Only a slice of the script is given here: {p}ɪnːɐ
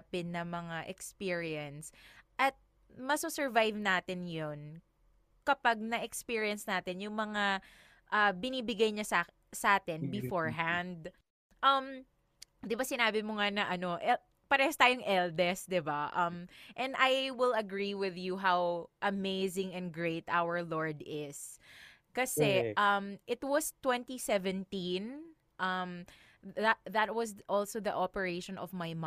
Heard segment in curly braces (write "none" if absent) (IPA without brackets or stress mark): p